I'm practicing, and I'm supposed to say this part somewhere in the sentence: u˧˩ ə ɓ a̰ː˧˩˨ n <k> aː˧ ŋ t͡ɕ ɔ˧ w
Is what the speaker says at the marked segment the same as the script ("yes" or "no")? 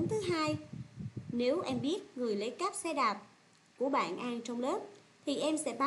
no